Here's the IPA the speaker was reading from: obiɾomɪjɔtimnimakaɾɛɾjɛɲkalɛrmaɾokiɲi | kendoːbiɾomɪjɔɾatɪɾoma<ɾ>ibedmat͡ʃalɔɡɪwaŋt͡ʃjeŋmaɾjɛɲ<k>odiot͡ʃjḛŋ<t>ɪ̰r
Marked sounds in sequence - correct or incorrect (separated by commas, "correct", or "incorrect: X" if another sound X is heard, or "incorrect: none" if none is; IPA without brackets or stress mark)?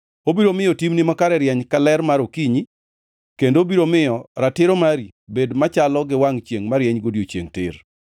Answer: correct, incorrect: ɡ, correct